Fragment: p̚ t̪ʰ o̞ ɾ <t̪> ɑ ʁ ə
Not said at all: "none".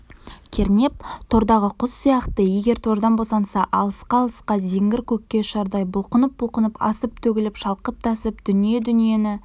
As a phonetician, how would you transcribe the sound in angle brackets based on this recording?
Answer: d̪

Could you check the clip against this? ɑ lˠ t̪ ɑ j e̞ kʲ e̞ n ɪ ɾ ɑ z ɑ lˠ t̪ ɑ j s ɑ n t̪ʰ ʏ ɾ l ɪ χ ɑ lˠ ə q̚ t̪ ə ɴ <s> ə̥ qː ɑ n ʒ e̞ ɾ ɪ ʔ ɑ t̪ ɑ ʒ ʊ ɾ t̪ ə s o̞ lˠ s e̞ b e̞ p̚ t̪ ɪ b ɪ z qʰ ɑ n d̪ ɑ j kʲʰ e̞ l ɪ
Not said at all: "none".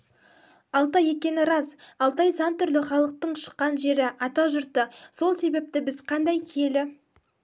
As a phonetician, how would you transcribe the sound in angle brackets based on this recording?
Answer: ʃ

